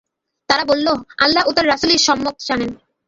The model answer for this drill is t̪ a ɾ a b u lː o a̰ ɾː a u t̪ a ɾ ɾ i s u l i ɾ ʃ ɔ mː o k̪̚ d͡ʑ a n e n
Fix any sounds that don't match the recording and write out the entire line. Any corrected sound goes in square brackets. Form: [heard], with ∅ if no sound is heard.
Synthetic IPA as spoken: t̪ a ɾ a b [o] lː o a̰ [lː] a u t̪ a ɾ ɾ [a] s u l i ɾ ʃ ɔ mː o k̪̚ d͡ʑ a n e n